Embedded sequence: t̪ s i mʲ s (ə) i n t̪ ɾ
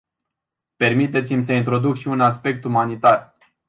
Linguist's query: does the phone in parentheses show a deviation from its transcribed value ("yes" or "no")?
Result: no